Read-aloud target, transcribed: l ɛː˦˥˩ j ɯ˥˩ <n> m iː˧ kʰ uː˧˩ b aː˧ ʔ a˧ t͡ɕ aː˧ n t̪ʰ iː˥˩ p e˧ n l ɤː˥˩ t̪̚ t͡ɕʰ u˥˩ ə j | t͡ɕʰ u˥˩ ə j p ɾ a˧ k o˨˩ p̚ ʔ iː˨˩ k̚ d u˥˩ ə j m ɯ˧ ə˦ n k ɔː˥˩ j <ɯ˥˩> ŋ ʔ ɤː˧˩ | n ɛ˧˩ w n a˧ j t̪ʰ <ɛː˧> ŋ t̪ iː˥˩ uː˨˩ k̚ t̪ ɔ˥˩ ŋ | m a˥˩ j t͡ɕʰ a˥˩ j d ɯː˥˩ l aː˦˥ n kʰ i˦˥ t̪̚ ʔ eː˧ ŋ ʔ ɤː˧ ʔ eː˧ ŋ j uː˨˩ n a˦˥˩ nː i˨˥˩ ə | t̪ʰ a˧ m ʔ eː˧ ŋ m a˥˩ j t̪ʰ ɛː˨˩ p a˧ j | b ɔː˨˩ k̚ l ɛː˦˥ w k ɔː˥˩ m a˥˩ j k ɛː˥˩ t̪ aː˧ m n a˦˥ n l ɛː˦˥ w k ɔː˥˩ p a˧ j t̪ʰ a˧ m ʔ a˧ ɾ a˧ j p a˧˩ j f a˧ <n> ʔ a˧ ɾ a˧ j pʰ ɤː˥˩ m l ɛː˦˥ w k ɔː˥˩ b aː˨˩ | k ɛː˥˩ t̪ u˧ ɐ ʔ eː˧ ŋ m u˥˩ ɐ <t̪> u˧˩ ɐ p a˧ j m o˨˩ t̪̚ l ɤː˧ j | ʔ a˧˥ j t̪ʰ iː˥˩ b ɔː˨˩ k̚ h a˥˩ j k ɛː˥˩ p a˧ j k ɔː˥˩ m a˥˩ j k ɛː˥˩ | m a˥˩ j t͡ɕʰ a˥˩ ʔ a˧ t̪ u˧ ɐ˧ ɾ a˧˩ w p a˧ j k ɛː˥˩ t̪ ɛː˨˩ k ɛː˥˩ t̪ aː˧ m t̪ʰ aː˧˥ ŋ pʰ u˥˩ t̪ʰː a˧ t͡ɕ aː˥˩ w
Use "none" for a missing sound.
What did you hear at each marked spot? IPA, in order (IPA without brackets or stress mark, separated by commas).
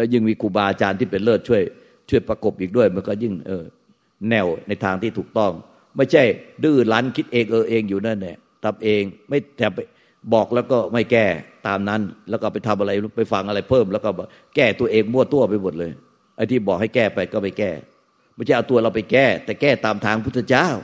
ŋ, ɯ˥˩, aː˧, ŋ, t̪